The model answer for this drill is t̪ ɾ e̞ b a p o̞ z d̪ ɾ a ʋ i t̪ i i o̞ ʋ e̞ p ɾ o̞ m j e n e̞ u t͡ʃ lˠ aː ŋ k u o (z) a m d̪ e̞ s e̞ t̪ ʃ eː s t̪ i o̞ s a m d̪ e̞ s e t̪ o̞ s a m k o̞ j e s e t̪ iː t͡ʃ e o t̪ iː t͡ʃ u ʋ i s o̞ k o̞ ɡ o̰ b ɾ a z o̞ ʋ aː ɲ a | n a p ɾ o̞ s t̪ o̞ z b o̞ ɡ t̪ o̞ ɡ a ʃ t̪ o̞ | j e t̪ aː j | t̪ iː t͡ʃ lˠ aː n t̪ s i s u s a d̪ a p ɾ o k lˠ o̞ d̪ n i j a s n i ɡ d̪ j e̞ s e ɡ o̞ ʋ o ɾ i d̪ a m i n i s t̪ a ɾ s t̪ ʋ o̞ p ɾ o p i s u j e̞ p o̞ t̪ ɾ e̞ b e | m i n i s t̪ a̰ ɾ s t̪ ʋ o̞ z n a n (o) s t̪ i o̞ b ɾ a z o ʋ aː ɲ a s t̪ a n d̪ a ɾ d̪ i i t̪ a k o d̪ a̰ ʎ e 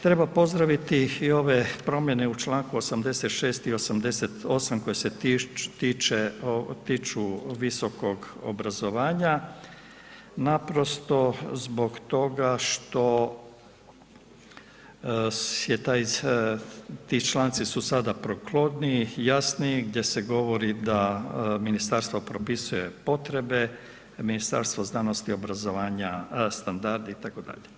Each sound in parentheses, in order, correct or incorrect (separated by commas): incorrect, correct